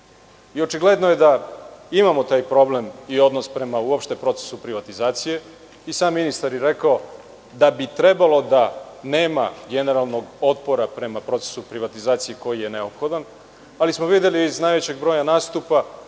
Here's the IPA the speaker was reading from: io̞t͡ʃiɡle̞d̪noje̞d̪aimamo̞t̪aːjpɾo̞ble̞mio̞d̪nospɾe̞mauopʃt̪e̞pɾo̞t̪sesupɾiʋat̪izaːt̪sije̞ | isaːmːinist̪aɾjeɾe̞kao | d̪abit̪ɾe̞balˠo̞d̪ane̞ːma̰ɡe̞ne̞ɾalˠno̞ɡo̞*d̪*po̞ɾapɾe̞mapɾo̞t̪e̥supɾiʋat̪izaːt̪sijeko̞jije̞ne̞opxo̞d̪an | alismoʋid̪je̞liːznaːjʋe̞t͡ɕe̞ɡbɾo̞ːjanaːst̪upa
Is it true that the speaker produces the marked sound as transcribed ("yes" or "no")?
no